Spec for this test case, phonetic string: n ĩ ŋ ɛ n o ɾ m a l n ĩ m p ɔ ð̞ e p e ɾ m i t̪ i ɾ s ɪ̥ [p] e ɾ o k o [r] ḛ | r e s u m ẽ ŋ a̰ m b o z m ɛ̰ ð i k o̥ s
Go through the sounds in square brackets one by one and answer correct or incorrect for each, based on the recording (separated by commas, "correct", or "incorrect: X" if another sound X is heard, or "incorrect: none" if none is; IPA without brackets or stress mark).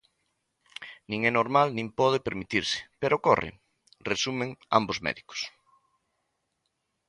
correct, correct